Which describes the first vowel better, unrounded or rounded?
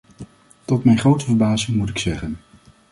rounded